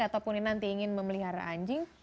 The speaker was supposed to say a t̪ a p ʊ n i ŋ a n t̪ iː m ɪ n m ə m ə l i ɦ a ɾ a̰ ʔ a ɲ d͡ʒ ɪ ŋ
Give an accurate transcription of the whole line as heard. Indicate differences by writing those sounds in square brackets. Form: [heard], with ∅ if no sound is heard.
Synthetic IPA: a t̪ a p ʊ n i [n] a n t̪ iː [ŋ] ɪ n m ə m ə l i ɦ a ɾ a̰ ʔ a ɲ d͡ʒ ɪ ŋ